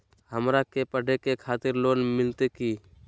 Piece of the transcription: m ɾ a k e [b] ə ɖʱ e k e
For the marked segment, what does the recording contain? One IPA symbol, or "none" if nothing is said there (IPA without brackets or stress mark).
p